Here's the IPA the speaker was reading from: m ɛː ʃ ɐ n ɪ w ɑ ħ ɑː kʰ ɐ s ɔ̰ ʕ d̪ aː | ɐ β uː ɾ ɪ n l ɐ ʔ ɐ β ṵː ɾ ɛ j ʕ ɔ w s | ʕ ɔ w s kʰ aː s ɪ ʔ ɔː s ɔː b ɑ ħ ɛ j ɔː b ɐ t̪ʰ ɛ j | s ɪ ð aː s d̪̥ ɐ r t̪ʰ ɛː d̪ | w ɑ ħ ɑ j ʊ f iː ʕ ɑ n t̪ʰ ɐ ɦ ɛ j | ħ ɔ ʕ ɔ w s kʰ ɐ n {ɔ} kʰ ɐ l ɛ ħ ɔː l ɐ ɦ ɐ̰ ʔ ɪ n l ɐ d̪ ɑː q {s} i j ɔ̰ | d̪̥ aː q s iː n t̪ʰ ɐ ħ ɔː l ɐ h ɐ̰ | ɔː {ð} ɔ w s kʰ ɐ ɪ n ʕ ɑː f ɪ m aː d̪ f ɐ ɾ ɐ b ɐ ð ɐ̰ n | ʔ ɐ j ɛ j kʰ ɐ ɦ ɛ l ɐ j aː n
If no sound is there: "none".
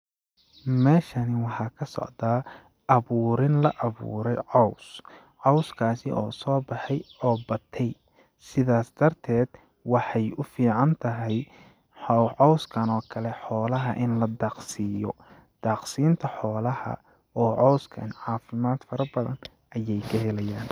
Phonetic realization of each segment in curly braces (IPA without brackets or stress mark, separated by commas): ɔː, s, ʕ